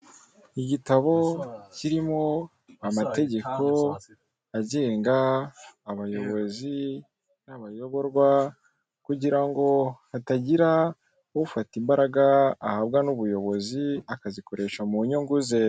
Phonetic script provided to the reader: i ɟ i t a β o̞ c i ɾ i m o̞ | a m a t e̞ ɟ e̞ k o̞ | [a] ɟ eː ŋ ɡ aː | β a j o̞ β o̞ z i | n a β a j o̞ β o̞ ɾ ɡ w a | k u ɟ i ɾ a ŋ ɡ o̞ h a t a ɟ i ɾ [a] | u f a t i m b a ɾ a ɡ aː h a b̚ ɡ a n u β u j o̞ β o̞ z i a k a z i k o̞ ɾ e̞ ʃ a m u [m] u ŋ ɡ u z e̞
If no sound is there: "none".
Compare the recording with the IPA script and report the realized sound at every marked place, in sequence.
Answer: a, a, ɲ

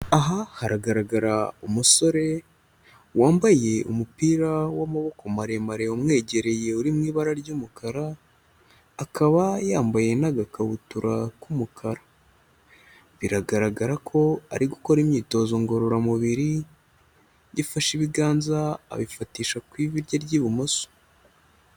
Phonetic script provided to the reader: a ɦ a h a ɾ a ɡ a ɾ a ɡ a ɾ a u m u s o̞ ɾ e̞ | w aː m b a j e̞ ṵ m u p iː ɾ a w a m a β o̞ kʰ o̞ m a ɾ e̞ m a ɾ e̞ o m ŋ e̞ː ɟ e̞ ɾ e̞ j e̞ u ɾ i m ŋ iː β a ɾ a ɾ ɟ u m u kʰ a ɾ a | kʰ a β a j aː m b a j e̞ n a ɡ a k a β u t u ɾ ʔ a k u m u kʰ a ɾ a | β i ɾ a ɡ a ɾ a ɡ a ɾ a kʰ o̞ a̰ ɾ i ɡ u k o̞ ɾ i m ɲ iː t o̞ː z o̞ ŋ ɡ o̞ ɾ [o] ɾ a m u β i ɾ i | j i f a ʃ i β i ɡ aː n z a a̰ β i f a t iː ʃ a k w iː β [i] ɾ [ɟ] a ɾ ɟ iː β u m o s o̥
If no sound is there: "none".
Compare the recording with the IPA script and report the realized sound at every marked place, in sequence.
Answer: o, i, ɟ

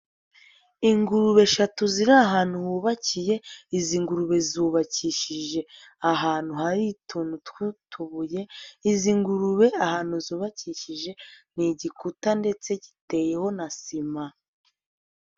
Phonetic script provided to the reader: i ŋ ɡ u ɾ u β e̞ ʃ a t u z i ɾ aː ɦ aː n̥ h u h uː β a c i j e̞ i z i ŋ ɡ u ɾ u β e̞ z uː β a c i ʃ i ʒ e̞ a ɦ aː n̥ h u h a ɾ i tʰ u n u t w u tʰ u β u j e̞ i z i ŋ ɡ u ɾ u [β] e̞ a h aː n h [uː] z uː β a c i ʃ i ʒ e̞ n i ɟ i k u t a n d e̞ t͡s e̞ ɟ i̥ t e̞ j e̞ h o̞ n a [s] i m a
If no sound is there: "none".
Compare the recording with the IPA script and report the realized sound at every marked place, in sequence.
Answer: β, u, s

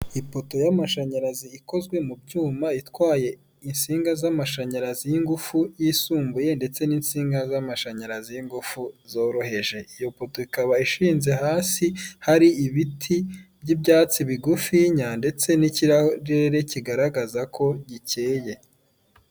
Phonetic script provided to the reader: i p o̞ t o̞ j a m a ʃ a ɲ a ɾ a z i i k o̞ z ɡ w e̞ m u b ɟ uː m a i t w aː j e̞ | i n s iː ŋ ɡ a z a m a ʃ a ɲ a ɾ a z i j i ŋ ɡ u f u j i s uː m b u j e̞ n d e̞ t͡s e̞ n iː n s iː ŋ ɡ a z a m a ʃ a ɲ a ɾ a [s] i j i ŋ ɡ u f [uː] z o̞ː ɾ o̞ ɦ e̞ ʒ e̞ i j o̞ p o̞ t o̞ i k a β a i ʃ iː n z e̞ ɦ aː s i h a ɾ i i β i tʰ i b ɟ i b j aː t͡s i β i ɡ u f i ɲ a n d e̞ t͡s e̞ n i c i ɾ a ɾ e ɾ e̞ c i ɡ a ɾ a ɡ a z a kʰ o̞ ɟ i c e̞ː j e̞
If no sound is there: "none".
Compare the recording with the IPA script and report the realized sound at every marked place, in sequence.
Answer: z, u

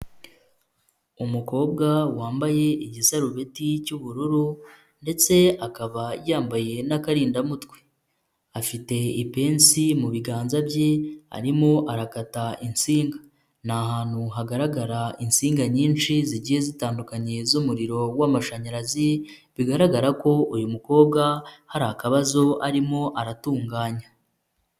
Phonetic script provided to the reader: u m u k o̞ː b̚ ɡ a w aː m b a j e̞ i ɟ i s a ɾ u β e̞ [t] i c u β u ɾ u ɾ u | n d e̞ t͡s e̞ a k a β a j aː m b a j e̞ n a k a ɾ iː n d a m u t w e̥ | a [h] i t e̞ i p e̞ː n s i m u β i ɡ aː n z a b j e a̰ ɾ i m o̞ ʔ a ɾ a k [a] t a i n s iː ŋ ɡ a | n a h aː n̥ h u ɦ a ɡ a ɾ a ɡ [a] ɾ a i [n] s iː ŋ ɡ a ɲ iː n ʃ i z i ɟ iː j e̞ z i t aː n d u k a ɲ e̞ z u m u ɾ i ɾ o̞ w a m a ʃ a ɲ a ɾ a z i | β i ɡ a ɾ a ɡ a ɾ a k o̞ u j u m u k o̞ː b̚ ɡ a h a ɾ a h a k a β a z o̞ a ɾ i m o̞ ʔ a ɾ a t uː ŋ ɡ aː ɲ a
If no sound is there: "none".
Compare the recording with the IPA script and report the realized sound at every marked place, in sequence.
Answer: t, f, a, a, n

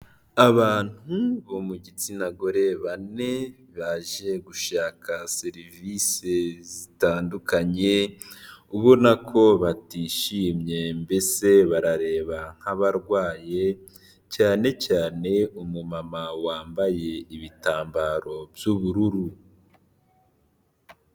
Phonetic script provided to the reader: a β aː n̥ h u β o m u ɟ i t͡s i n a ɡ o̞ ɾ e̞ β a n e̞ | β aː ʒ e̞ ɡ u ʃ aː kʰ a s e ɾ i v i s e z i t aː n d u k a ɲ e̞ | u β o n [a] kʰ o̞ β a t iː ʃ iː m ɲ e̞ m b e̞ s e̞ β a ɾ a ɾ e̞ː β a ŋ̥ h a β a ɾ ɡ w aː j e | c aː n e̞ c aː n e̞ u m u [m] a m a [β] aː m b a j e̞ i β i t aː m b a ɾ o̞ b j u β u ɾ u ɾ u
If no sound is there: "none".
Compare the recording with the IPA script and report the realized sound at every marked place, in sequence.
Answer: a, m, w

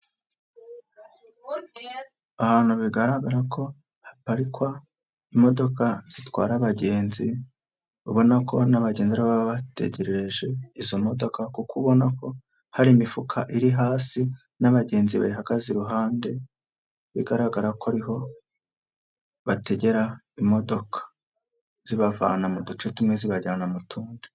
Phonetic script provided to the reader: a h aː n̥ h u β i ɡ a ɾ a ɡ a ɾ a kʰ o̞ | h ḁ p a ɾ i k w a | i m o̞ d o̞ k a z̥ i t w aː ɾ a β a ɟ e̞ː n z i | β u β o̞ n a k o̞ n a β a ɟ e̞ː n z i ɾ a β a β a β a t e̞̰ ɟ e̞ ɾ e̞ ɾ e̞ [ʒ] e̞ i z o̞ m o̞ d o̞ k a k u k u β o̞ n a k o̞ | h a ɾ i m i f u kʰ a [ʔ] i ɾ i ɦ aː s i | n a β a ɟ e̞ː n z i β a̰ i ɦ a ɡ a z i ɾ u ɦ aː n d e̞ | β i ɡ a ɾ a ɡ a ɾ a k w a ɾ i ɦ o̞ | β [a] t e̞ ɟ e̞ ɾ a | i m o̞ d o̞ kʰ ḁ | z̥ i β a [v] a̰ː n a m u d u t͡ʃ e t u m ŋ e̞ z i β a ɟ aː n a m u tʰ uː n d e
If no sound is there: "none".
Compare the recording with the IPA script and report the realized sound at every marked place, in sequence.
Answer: ʒ, ʔ, a, v

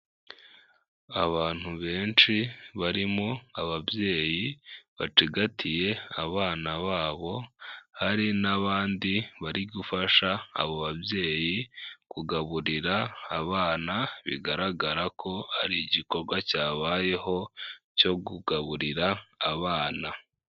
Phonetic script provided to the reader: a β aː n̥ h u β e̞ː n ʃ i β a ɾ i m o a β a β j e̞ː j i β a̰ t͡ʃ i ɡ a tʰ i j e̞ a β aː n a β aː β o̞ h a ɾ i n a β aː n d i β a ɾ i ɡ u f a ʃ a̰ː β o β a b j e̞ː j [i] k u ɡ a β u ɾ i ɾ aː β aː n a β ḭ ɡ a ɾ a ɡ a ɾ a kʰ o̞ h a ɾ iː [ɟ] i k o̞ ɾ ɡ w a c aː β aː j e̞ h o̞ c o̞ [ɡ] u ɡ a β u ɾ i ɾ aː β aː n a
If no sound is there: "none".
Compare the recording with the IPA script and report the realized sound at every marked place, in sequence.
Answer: i, ɟ, ɡ

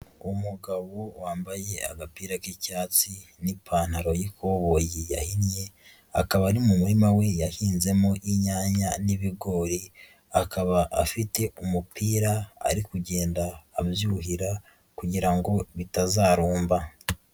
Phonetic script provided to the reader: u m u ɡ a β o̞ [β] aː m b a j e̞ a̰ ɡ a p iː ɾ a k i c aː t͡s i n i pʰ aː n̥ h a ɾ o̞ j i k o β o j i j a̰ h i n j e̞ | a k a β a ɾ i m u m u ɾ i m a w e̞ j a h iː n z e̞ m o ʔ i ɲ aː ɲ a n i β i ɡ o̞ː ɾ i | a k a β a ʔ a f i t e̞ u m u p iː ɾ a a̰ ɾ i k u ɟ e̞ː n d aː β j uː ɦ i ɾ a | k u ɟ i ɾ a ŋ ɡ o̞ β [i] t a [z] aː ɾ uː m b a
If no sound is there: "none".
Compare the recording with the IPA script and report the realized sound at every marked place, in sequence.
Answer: w, i, z

